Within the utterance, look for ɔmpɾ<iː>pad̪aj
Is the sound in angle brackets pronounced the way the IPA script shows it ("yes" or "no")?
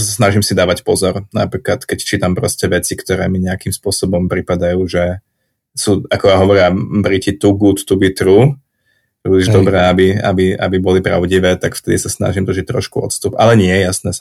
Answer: no